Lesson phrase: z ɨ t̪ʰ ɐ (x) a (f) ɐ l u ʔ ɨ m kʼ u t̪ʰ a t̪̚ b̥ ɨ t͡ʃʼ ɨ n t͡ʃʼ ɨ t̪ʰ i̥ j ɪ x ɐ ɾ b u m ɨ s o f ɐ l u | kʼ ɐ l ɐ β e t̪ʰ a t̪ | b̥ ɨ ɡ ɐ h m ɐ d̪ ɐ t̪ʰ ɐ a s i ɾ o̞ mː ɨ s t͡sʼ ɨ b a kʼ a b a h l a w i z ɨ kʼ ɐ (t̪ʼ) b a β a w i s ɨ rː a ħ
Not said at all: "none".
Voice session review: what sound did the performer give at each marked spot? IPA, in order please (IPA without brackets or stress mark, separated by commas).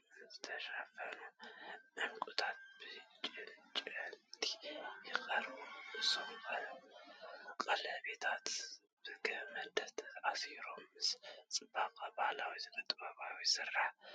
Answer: ʃ, f, t̪ʼ